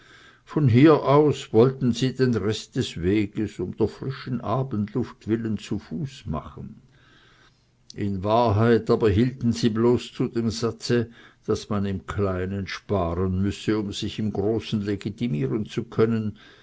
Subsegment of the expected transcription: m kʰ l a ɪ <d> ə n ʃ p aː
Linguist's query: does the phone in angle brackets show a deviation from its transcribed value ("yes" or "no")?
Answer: yes